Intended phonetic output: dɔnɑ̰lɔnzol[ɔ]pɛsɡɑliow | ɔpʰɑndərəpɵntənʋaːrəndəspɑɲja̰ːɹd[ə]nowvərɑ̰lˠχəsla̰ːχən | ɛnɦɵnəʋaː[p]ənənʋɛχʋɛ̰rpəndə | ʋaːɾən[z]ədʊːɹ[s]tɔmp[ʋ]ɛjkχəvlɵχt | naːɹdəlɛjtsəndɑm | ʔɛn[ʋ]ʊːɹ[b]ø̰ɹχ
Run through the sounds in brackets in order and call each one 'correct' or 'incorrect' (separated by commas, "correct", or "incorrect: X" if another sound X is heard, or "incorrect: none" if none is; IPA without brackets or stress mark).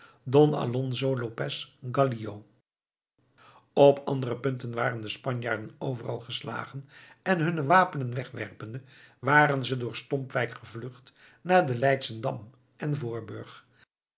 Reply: incorrect: o, correct, correct, correct, correct, correct, incorrect: v, correct